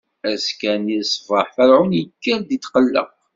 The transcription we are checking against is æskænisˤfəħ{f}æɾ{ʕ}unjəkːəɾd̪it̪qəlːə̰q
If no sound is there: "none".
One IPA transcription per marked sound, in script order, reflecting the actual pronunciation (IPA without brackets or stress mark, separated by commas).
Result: f, ʕ